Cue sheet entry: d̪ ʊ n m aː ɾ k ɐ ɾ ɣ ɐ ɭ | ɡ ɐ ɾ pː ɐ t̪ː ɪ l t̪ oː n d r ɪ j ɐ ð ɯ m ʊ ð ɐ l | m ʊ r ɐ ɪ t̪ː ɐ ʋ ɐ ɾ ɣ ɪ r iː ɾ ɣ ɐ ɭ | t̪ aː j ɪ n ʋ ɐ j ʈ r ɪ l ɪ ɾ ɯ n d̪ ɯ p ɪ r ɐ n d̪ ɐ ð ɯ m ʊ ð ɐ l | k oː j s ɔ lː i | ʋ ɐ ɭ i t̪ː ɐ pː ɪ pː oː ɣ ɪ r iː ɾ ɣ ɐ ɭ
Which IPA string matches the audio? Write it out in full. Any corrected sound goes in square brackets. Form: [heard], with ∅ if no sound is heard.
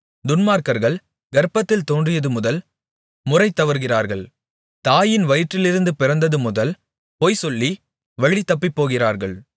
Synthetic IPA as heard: d̪ ʊ n m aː ɾ k ɐ ɾ ɣ ɐ ɭ | ɡ ɐ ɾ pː ɐ t̪ː ɪ l t̪ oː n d r ɪ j ɐ ð ɯ m ʊ ð ɐ l | m ʊ r ɐ ɪ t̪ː ɐ ʋ ɐ ɾ ɣ ɪ r [aː] ɾ ɣ ɐ ɭ | t̪ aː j ɪ n ʋ ɐ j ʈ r ɪ l ɪ ɾ ɯ n d̪ ɯ p ɪ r ɐ n d̪ ɐ ð ɯ m ʊ ð ɐ l | [p] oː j s ɔ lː i | ʋ ɐ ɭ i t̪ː ɐ pː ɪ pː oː ɣ ɪ r [aː] ɾ ɣ ɐ ɭ